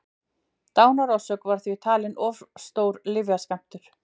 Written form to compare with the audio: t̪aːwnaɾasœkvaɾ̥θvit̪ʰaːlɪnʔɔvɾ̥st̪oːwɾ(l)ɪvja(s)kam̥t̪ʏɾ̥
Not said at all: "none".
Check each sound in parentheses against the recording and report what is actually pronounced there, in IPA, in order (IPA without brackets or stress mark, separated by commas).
l, s